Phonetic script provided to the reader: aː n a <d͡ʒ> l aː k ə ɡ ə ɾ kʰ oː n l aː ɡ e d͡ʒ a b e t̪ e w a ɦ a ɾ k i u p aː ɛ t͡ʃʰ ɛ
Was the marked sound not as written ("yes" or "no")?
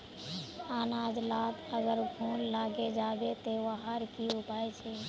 no